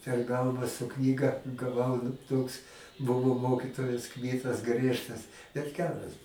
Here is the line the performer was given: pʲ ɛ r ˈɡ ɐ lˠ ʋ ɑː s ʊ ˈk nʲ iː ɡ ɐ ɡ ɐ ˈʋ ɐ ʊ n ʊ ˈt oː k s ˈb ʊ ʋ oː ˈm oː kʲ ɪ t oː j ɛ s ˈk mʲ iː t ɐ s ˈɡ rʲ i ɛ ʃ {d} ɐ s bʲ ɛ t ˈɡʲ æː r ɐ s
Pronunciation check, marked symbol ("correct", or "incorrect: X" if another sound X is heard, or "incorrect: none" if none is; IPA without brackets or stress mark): incorrect: t